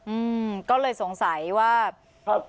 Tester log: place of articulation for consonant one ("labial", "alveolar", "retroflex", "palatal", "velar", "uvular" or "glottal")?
glottal